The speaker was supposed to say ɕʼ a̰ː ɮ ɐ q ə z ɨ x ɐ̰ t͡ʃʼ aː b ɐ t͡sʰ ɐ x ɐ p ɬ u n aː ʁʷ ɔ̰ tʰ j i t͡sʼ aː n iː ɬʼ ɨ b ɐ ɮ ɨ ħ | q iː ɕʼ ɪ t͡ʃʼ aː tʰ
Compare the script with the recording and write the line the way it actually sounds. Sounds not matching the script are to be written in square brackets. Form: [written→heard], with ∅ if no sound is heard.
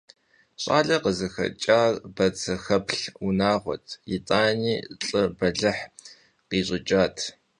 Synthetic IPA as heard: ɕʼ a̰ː ɮ ɐ q ə z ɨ x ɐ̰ t͡ʃʼ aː b ɐ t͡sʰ ɐ x ɐ p ɬ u n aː ʁʷ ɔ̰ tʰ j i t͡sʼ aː n iː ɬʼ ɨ b ɐ ɮ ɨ ħ | q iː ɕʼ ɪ t͡ʃʼ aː tʰ